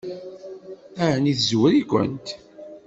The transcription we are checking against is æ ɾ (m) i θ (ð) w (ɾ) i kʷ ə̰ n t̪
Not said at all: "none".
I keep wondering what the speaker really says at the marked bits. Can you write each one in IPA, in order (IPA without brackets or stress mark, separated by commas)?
n, z, ɾ